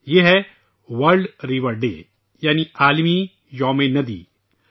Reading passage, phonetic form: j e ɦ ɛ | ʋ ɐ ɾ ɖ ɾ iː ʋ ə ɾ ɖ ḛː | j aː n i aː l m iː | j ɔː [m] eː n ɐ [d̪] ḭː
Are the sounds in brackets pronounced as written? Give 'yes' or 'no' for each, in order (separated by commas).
yes, yes